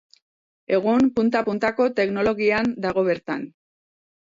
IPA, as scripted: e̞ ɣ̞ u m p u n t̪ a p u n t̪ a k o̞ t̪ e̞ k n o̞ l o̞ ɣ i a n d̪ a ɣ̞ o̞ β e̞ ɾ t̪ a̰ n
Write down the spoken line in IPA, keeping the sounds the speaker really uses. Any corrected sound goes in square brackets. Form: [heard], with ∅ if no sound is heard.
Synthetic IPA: e̞ ɣ̞ u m p u n t̪ a p u n t̪ a k o̞ t̪ e̞ k n o̞ l o̞ ɣ i a n d̪ a ɣ̞ o̞ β e̞ ɾ t̪ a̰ n